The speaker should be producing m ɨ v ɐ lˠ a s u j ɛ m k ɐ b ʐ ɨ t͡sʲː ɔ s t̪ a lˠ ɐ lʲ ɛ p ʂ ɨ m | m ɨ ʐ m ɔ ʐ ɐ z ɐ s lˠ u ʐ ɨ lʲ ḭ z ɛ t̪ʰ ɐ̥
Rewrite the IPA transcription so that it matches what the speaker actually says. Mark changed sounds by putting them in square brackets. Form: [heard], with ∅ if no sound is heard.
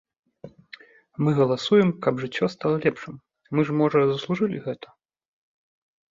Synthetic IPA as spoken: m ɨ [ɣ] ɐ lˠ a s u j ɛ m k ɐ b ʐ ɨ t͡sʲː ɔ s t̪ a lˠ ɐ lʲ ɛ p ʂ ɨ m | m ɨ ʐ m ɔ ʐ ɐ z ɐ s lˠ u ʐ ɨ lʲ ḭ [ɣ] ɛ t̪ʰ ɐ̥